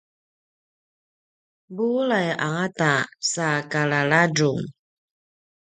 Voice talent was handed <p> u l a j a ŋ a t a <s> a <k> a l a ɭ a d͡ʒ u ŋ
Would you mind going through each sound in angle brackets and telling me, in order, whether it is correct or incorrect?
incorrect, correct, correct

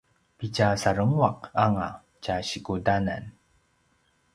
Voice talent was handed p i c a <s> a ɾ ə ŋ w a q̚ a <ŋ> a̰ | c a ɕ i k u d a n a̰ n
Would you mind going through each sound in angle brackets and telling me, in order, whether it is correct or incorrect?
correct, correct

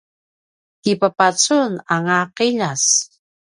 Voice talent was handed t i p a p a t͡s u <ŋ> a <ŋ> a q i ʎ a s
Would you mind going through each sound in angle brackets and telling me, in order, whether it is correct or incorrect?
incorrect, correct

